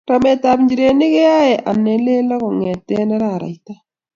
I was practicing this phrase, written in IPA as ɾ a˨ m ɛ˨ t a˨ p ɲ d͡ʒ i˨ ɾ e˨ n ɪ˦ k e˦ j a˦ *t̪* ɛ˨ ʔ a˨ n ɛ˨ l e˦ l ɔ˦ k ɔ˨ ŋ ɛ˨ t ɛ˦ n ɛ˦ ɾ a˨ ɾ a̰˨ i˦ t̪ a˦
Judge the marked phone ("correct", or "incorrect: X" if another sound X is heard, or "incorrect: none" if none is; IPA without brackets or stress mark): incorrect: none